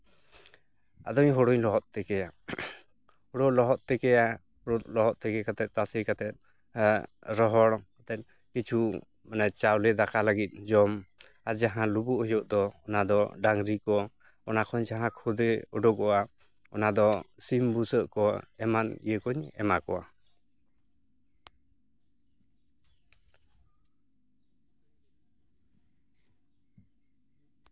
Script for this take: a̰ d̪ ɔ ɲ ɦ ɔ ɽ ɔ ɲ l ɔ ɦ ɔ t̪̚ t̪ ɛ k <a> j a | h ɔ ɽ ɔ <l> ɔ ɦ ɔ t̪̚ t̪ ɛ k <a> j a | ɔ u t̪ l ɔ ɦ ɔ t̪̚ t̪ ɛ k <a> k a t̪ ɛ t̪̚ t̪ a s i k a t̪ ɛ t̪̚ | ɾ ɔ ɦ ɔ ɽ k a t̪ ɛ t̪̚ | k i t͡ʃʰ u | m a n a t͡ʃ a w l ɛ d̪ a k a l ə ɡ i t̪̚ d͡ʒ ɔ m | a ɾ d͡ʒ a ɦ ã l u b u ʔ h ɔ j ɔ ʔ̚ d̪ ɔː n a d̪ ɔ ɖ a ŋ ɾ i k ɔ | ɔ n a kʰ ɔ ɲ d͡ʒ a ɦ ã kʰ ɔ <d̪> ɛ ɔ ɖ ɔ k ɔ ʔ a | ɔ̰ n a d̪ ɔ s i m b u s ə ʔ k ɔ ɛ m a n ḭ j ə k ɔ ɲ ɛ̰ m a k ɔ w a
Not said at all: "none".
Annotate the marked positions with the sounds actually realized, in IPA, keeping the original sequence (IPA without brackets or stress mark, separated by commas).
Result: ɛ, l, ɛ, ɛ, d̪